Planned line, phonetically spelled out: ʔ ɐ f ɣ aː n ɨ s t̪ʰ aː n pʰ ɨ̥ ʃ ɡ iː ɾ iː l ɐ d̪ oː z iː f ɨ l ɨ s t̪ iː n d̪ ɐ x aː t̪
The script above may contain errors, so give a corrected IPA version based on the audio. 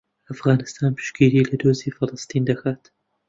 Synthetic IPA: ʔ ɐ f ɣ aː n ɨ s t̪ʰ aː n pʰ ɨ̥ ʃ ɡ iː ɾ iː l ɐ d̪ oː z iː f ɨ l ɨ s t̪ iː n d̪ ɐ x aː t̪